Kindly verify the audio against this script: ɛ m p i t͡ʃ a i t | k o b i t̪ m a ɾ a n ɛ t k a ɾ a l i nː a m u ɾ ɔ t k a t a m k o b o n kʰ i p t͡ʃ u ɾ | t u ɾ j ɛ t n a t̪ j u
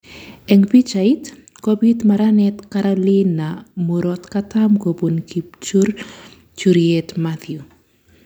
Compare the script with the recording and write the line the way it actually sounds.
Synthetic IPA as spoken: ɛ ŋ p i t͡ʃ a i t | k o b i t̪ m a ɾ a n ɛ t k a ɾ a l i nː a m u ɾ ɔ t k a t a m k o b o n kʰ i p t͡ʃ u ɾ | t͡ʃ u ɾ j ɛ t m a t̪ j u

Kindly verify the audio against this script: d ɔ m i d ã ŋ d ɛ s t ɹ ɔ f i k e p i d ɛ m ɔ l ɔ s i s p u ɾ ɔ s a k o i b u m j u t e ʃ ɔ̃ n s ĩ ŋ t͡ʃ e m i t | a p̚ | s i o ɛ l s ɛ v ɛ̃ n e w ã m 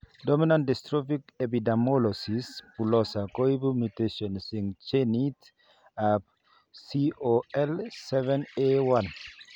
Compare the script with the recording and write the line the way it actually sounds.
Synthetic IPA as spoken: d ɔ m i n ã n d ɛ s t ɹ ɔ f i k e p i d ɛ m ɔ l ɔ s i s p u l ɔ s a k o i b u m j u t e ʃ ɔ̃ n s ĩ ŋ t͡ʃ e n i t | a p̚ | s i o ɛ l s ɛ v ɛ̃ n e w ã n

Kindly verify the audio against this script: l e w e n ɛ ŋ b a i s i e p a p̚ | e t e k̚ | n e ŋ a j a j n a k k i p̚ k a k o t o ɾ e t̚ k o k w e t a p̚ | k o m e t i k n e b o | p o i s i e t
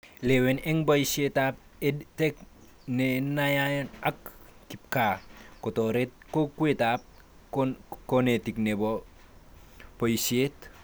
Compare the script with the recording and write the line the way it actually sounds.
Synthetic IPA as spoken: l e w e n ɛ ŋ b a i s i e t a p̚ | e t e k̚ | n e n a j a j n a k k i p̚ k a k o t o ɾ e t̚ k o k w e t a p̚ | k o n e t i k n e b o | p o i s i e t

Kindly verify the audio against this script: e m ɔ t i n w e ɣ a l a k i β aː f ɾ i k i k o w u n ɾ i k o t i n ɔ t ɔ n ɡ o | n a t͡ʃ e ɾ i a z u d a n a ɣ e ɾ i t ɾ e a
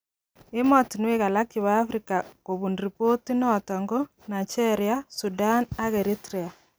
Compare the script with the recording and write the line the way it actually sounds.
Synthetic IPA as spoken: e m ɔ t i n w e ɣ a l a k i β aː f ɾ i k a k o β u n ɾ i p o t i n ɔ t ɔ ŋ ɡ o | n a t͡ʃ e ɾ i a s u d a n a ɣ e ɾ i t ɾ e a

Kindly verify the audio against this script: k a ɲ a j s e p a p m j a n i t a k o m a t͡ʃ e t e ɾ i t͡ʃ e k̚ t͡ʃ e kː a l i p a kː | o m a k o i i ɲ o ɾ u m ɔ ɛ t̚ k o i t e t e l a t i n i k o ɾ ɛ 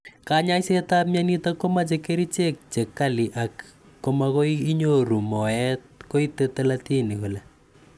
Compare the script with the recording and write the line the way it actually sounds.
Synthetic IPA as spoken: k a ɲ a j s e t a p m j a n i t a k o m a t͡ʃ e k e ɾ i t͡ʃ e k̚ t͡ʃ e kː a l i ʔ a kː | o m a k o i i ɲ o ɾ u m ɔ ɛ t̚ k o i t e t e l a t i n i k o l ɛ

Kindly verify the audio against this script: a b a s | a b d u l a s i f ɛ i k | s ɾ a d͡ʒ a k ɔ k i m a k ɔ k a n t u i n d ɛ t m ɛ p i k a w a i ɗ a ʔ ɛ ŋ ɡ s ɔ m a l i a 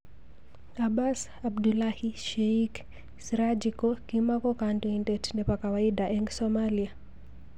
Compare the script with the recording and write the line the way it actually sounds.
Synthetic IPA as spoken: a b a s | a b d u l a h i ʃ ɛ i k | s ɾ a d͡ʒ i k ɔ k i m a k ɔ k a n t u i n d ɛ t n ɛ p a k a w a i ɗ a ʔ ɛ ŋ ɡ s ɔ m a l i a

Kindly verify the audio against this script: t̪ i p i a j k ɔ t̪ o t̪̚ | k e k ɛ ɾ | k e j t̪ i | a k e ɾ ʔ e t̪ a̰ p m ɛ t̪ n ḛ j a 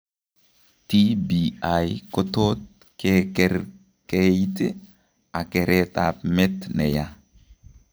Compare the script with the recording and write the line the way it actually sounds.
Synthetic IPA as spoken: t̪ i b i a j k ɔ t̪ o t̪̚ | k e k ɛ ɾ | k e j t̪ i | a k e ɾ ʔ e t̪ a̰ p m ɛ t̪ n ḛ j a

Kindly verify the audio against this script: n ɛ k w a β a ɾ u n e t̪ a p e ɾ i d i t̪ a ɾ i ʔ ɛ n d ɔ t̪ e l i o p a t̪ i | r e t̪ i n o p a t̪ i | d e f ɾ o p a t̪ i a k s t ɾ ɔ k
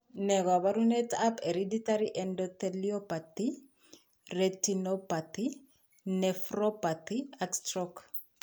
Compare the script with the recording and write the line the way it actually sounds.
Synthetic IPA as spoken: n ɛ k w a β a ɾ u n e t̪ a p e ɾ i d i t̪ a ɾ i ʔ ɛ n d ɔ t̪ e l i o p a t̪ i | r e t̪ i n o p a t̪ i | n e f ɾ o p a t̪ i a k s t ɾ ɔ k

